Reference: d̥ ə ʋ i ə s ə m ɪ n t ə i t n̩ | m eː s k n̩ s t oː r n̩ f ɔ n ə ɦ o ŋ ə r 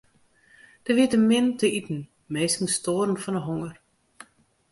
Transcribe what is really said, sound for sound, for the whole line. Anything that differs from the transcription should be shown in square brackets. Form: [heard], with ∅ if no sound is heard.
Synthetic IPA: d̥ ə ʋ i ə [t] ə m ɪ n t ə i t n̩ | m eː s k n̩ s t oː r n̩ f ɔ n ə ɦ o ŋ ə r